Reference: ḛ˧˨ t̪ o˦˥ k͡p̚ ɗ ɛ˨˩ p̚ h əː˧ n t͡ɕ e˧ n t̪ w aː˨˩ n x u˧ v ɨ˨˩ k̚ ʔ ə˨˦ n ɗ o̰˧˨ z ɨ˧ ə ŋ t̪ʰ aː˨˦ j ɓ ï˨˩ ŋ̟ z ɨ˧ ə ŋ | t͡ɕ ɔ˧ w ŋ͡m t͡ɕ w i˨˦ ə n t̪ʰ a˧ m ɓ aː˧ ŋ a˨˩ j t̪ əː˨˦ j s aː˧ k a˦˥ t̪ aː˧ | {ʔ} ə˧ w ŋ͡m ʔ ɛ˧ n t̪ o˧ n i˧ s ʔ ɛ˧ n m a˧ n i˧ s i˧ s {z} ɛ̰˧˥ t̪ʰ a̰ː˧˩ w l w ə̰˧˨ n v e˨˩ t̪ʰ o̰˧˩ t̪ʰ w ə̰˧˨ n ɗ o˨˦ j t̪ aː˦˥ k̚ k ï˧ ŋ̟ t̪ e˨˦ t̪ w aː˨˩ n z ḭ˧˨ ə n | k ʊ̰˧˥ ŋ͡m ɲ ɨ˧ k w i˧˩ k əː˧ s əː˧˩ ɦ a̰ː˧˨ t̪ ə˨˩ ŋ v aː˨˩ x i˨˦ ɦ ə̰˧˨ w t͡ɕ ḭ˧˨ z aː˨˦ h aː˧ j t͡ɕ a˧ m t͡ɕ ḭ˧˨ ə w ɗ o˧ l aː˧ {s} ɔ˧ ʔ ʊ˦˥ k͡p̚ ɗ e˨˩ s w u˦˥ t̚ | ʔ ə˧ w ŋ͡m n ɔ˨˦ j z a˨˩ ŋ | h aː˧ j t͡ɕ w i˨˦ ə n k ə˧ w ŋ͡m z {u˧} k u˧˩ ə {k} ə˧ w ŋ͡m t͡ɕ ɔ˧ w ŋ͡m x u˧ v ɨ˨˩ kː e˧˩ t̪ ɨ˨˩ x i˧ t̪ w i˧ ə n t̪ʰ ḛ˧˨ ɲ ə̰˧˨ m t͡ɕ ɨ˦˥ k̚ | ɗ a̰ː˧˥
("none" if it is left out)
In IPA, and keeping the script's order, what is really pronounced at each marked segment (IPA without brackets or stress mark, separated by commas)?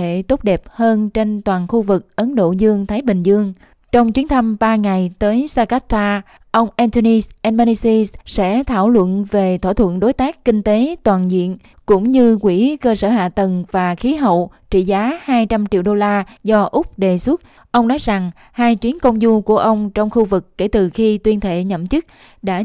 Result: ʔ, s, z, u˧, ʔ